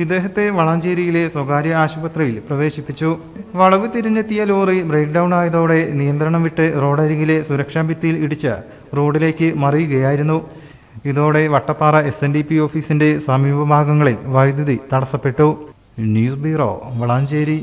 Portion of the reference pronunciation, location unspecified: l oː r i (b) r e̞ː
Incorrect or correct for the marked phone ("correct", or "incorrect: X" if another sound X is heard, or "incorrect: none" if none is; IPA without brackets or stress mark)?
correct